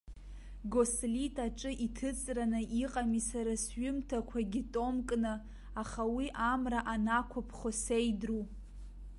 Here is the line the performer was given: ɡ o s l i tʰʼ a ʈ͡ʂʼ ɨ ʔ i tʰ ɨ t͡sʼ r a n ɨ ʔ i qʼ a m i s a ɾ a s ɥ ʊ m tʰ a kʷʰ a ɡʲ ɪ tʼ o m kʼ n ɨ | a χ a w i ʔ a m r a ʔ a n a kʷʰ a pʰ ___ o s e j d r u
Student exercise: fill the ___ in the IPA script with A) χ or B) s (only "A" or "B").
A